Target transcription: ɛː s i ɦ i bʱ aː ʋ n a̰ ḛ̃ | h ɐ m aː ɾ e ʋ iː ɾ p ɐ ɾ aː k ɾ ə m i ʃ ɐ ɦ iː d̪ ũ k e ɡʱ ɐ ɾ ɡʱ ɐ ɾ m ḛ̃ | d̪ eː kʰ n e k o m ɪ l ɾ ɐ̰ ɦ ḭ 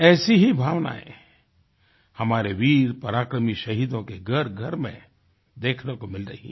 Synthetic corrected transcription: ɛː s i ɦ i bʱ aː ʋ n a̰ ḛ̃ | h ɐ m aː ɾ e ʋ iː ɾ p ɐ ɾ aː k ɾ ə m i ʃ ɐ ɦ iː d̪ õ k e ɡʱ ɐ ɾ ɡʱ ɐ ɾ m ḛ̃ | d̪ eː kʰ n e k o m ɪ l ɾ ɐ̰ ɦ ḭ